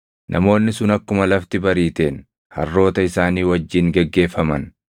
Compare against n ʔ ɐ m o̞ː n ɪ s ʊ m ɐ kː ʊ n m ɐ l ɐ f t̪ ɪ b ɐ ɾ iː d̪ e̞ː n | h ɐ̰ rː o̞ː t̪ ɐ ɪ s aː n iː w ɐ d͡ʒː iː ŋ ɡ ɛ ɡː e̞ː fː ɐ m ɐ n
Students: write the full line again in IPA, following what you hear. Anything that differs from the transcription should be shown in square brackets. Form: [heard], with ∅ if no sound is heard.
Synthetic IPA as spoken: n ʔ ɐ m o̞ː [nː] ɪ s ʊ [n] ɐ kː ʊ [∅] m ɐ l ɐ f t̪ ɪ b ɐ ɾ iː [t̪] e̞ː n | h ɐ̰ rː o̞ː t̪ ɐ ɪ s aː n iː w ɐ d͡ʒː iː ŋ ɡ ɛ ɡː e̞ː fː ɐ m ɐ n